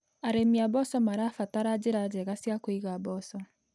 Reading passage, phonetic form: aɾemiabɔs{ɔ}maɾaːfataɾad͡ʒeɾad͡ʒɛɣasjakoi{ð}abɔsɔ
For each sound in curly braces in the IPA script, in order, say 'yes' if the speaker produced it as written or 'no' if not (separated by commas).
yes, no